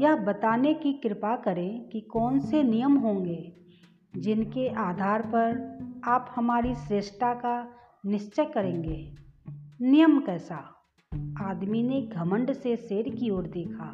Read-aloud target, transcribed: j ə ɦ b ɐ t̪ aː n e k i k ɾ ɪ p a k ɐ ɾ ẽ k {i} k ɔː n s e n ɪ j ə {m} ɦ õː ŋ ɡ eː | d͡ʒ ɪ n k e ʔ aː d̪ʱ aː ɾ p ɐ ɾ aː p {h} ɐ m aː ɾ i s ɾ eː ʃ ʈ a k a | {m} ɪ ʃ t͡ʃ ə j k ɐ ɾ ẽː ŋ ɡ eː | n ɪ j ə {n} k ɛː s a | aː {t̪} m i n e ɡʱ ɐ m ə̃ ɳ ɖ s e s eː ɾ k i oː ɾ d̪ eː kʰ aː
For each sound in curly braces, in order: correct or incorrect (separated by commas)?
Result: correct, correct, correct, incorrect, incorrect, incorrect